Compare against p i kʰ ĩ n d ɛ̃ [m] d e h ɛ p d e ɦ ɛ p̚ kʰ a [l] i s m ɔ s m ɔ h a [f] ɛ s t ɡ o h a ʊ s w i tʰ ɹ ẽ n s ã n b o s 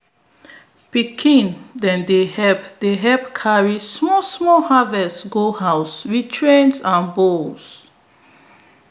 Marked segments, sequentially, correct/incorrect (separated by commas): incorrect, incorrect, incorrect